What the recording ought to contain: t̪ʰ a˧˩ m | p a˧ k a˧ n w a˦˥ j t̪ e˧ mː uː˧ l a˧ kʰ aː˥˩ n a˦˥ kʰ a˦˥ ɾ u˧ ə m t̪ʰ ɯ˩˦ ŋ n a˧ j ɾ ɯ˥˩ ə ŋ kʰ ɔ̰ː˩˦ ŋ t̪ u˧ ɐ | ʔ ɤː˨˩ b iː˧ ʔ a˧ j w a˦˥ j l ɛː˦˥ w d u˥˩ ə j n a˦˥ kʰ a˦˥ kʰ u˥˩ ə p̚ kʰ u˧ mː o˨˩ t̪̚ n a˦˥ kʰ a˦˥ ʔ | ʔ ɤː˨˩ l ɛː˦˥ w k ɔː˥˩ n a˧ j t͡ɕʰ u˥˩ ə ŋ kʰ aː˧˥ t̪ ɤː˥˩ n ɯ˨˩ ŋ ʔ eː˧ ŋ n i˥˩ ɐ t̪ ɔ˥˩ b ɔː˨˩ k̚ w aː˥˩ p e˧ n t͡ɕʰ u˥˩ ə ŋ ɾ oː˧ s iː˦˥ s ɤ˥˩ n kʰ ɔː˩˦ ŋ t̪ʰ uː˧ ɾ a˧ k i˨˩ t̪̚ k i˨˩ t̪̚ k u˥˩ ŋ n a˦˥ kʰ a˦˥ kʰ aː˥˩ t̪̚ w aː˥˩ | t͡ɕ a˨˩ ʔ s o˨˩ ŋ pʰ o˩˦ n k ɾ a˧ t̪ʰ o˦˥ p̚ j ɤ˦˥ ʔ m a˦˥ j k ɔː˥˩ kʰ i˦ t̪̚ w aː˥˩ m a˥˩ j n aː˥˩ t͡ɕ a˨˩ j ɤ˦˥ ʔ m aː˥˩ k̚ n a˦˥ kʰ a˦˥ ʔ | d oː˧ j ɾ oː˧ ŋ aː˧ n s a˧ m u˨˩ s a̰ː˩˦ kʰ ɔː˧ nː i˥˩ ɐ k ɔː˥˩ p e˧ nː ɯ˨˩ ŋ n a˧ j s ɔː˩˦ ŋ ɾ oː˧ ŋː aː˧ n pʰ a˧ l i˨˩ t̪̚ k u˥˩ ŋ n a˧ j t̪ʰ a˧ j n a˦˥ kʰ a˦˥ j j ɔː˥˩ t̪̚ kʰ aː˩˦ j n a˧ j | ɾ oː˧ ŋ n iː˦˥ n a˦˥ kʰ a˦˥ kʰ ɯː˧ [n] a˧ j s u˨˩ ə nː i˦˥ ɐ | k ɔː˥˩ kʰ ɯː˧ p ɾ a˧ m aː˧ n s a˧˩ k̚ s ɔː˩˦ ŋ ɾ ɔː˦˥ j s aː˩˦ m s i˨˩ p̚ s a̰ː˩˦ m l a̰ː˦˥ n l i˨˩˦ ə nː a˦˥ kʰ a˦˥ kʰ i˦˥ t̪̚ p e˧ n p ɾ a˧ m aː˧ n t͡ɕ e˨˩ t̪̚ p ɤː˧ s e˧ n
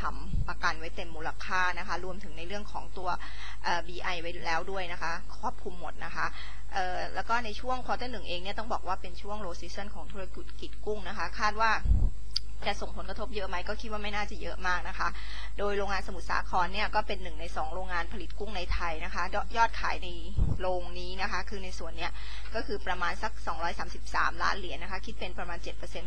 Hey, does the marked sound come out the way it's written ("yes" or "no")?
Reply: yes